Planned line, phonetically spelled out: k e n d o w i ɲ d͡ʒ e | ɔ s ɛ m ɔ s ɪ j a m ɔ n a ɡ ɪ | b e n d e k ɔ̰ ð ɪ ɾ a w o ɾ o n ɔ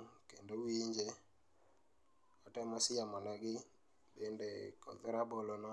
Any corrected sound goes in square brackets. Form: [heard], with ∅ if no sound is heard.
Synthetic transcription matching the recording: k e n d o w i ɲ d͡ʒ e | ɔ [t] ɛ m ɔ s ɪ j a m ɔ n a ɡ ɪ | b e n d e k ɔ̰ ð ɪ ɾ a [b] o [l] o n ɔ